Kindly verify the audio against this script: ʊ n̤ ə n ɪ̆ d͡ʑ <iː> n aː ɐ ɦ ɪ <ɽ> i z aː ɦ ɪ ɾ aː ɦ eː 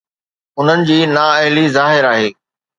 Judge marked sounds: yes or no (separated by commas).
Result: yes, no